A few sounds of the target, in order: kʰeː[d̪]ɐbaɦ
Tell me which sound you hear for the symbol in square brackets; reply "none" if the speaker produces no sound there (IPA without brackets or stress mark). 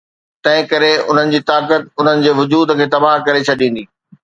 t̪